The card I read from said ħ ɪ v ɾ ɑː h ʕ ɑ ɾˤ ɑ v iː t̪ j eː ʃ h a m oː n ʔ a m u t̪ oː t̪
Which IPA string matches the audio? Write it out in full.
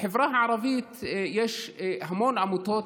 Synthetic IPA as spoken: ħ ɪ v ɾ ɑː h ʕ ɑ ɾˤ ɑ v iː t̪ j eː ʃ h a m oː n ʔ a m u t̪ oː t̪